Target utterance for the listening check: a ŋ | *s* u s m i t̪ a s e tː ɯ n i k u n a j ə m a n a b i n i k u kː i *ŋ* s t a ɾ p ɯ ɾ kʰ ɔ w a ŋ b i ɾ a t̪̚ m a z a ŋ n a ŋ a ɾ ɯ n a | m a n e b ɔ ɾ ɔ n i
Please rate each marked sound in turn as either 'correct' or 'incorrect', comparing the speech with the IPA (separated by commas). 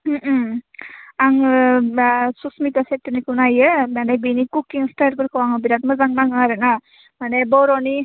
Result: correct, correct